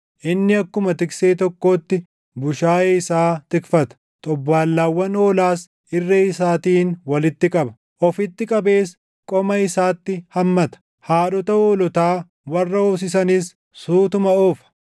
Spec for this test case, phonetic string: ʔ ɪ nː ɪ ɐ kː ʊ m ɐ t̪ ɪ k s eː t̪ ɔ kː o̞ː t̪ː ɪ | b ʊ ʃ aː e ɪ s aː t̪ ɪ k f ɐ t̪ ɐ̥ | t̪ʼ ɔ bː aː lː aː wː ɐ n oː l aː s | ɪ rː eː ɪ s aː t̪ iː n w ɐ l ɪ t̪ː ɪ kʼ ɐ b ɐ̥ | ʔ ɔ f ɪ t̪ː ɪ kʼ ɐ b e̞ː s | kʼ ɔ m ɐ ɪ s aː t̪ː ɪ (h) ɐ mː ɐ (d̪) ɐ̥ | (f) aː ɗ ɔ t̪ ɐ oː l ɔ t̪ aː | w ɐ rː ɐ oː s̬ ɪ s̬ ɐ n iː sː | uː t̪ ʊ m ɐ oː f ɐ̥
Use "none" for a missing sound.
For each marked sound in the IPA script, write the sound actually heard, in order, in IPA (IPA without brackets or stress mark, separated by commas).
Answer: h, t̪, h